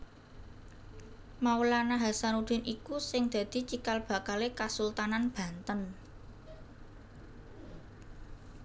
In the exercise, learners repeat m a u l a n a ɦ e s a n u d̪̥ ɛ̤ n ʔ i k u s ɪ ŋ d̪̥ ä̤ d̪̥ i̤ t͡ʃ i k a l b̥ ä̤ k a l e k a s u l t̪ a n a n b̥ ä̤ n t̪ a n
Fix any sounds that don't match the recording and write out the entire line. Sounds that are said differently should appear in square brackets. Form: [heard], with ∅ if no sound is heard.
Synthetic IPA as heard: m a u l a n a ɦ [a] s a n u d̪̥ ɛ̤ n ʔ i k u s ɪ ŋ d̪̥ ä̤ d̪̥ i̤ t͡ʃ i k a l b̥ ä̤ k a l e k a s u l t̪ a n a n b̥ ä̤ n t̪ [ə] n